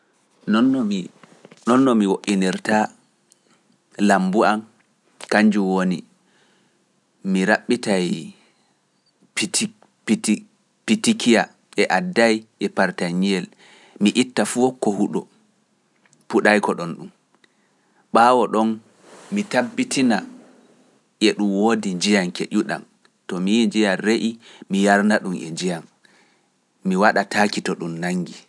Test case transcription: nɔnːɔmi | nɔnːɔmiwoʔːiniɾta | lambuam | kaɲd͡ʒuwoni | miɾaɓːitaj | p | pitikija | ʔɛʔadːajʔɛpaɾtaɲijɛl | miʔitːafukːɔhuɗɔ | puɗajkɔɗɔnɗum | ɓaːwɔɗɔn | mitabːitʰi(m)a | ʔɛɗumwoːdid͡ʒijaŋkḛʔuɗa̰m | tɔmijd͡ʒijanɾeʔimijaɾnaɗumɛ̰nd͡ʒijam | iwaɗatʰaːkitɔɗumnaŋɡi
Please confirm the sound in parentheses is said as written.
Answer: no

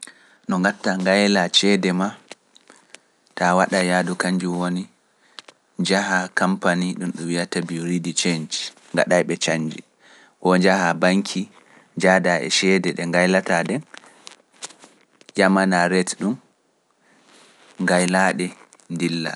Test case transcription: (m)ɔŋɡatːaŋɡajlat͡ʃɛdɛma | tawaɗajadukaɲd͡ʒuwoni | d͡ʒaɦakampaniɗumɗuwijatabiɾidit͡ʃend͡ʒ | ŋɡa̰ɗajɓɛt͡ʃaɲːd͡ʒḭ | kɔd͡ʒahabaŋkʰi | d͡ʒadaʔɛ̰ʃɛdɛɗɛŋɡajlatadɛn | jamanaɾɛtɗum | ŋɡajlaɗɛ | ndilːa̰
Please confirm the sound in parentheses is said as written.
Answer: no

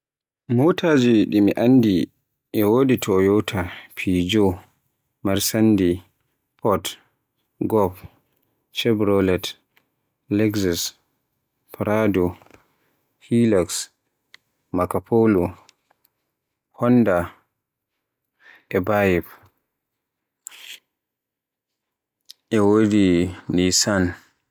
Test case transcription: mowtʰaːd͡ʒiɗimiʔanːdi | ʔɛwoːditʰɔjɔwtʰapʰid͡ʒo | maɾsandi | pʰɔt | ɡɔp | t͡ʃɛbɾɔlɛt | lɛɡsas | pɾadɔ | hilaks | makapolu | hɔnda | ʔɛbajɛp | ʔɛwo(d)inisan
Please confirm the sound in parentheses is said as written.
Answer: yes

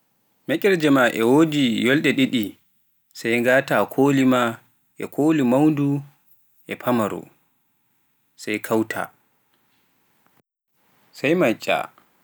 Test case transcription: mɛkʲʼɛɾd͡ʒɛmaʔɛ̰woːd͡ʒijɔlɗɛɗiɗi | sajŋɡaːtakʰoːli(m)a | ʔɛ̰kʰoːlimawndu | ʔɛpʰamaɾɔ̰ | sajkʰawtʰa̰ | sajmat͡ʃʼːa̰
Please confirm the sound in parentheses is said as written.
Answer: yes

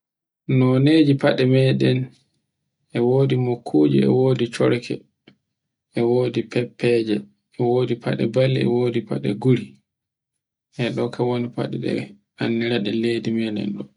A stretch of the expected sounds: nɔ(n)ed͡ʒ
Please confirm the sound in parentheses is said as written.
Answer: yes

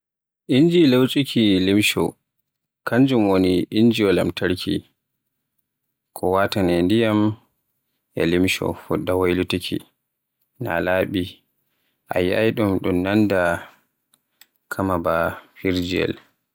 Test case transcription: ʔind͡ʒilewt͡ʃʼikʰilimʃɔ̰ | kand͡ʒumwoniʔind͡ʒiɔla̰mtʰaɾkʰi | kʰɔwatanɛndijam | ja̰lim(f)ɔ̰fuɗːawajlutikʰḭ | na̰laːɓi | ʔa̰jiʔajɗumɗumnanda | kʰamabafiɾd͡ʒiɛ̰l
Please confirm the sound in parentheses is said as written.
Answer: no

